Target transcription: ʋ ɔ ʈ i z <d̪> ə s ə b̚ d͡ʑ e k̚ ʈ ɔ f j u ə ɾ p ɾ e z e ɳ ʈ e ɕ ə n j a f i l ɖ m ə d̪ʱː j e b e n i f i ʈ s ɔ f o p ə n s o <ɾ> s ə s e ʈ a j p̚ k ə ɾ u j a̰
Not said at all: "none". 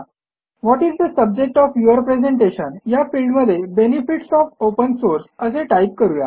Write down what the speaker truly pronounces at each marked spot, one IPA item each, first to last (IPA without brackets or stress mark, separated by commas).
d̪, ɾ